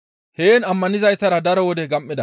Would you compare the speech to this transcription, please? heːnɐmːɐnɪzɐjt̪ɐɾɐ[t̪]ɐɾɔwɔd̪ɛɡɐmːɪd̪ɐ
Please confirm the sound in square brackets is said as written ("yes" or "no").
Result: no